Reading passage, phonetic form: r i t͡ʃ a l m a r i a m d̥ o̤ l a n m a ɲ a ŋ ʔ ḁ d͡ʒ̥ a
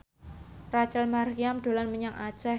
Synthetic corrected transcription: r a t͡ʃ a l m a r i a m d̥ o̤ l a n m ə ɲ a ŋ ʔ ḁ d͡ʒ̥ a

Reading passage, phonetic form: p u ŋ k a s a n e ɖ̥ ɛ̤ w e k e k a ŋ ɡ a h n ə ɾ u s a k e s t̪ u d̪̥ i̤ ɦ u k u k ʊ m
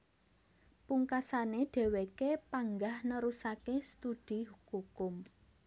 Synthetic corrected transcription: p u ŋ k a s a n e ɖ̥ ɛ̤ w e k e p a ŋ ɡ a h n ə ɾ u s a k e s t̪ u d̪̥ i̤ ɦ u k u k ʊ m

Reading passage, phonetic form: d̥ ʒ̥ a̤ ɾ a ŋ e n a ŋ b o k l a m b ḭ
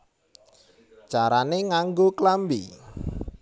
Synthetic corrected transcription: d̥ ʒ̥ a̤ ɾ a n e ŋ a ŋ ɡ o k l a m b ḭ

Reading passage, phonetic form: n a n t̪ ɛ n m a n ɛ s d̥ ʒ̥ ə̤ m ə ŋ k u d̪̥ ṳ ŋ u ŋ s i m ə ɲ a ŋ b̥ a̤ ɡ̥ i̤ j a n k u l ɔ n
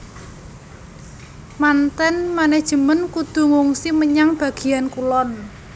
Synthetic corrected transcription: m a n t̪ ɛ n m a n ɛ h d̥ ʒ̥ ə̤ m ə n k u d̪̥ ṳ ŋ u ŋ s i m ə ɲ a ŋ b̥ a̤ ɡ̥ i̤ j a n k u l ɔ n

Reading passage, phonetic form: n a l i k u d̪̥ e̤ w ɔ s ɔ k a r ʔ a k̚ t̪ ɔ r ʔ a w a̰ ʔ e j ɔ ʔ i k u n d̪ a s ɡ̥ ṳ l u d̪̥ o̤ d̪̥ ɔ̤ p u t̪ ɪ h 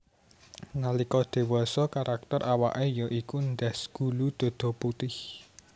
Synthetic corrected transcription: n a l i k ɔ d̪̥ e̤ w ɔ s ɔ k a ɾ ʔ a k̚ t̪ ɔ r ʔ a w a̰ ʔ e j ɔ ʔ i k u n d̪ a s ɡ̥ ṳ l u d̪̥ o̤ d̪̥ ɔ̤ p u t̪ ɪ h

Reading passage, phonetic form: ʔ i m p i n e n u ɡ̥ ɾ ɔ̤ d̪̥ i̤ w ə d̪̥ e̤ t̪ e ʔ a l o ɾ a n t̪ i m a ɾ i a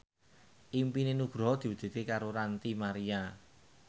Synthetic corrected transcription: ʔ i m p i n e n u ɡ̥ ɾ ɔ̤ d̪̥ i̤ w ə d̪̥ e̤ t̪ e k a ɾ o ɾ a n t̪ i m a ɾ i a

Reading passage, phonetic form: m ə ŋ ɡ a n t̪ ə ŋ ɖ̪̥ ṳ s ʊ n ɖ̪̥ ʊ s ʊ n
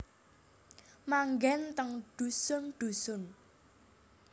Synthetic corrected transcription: m a ŋ ɡ ɛ n t̪ ə ŋ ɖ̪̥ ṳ s ʊ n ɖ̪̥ u s ʊ n

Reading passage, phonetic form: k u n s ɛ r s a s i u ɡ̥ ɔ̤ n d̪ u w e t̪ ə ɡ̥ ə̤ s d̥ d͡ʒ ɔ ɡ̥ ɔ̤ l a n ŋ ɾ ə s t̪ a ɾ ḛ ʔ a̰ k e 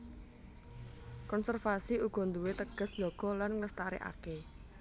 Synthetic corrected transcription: k ɔ n s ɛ r f a s i u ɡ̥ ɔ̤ n d̪ u w e t̪ ə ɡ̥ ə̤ s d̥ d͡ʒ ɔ ɡ̥ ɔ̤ l a n ŋ l ə s t̪ a ɾ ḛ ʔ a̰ k e

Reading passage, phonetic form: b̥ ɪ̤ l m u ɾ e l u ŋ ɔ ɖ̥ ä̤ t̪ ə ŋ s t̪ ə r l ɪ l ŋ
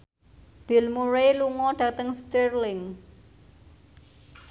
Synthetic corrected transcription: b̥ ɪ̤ l m u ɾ e l u ŋ ɔ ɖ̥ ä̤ t̪ ə ŋ s t̪ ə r l ɪ ŋ

